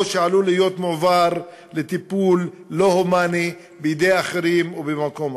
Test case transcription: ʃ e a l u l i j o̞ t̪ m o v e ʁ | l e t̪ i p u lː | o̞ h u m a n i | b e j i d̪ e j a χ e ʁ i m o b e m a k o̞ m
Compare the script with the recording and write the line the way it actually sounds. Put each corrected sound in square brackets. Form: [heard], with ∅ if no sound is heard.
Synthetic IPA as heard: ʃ e a l u l i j o̞ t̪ m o v [a] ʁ | l e t̪ i p u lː | o̞ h [o] m a n i | b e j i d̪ e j a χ e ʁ i m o b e m a k o̞ m